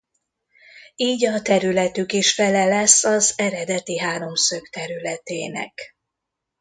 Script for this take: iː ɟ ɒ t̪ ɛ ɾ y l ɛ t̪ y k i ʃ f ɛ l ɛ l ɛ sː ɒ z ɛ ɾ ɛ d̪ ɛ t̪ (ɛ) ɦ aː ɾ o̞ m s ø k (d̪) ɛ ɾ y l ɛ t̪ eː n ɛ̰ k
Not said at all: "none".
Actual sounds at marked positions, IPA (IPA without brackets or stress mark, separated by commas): i, t̪